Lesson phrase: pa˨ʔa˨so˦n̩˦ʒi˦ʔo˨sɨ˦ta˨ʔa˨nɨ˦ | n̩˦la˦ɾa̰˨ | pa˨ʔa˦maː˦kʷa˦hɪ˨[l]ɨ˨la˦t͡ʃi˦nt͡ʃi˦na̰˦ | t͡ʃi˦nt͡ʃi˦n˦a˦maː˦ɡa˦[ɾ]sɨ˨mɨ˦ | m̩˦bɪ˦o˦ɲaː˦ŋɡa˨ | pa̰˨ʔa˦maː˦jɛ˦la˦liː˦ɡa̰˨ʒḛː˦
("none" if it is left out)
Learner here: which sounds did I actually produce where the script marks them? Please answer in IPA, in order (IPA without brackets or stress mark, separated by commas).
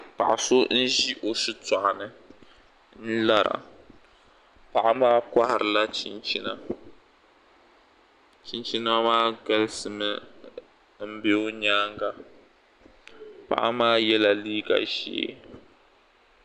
ɾ, l